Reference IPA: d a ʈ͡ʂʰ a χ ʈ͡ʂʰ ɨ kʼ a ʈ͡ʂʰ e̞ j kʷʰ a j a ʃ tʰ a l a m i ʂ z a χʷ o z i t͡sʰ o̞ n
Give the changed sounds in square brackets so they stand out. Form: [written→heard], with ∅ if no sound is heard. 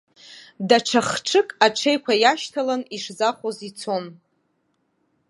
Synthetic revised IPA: d a ʈ͡ʂʰ a χ ʈ͡ʂʰ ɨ kʼ a ʈ͡ʂʰ e̞ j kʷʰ a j a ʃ tʰ a l a [m→n] i ʂ z a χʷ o z i t͡sʰ o̞ n